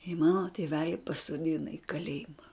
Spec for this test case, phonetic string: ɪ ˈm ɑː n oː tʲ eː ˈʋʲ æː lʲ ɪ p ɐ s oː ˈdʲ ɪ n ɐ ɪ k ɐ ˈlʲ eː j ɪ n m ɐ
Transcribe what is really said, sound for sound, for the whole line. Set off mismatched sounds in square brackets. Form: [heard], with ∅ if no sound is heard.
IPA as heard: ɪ ˈm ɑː n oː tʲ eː ˈʋʲ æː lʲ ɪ p ɐ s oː ˈdʲ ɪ n ɐ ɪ k ɐ ˈlʲ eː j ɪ [∅] m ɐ